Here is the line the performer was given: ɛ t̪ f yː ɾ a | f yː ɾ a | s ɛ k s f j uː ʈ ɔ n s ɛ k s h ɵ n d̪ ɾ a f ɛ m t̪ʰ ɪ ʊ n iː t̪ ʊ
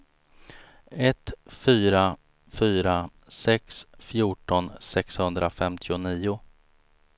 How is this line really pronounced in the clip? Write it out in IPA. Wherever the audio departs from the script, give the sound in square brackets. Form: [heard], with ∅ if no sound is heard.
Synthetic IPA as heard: ɛ t̪ f yː ɾ a | f yː ɾ a | s ɛ k s f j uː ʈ ɔ n s ɛ k s h ɵ n d̪ ɾ a f ɛ m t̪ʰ ɪ ʊ n iː [∅] ʊ

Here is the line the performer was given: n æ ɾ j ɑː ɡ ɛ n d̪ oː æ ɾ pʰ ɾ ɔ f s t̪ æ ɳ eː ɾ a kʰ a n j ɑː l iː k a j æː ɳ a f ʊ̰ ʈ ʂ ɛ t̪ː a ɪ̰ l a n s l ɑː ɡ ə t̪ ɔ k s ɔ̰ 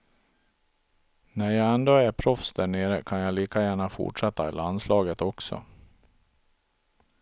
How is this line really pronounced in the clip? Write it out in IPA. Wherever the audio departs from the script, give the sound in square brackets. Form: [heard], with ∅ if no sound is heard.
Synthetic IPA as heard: n æ ɾ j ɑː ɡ ɛ n d̪ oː æ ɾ pʰ ɾ ɔ f s [d̪] æ ɳ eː ɾ [ə] kʰ a n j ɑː l iː k a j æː ɳ a f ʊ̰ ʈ ʂ ɛ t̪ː a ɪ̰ l a n s l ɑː ɡ ə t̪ ɔ k s ɔ̰

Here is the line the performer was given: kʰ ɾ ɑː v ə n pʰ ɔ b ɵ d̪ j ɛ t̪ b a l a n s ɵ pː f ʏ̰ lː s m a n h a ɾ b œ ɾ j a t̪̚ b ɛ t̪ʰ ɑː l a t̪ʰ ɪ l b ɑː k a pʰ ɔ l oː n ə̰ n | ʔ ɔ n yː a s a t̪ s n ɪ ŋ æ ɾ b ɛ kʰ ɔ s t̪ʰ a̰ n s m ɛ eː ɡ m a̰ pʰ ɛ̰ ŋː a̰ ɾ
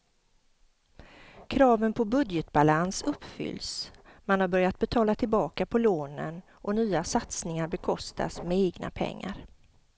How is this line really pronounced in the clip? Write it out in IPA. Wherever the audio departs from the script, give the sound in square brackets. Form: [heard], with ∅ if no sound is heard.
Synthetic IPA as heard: kʰ ɾ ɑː v ə n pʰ ɔ b ɵ d̪ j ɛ t̪ b a l a n s ɵ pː f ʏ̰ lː s m a n h a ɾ b œ ɾ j a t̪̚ b ɛ t̪ʰ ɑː l a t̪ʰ ɪ l b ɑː k a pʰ ɔ l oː n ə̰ n | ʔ ɔ n yː a s a t̪ s n ɪ ŋ [a] ɾ b ɛ kʰ ɔ s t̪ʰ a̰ [∅] s m ɛ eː ɡ [n] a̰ pʰ ɛ̰ ŋː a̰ ɾ

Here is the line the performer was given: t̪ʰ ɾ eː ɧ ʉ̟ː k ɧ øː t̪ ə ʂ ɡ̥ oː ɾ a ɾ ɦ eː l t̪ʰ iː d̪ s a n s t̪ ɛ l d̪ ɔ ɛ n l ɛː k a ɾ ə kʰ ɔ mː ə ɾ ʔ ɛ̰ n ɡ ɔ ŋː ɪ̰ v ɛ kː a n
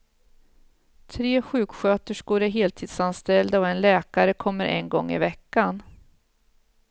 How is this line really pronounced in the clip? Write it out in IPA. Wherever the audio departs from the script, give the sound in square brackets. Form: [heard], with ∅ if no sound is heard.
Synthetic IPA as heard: t̪ʰ ɾ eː ɧ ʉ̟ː k ɧ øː t̪ ə ʂ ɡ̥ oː ɾ [æ] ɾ ɦ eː l t̪ʰ iː d̪ s a n s t̪ ɛ l d̪ ɔ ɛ n l ɛː k a ɾ ə kʰ ɔ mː ə ɾ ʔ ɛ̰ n ɡ ɔ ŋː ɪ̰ v ɛ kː a n

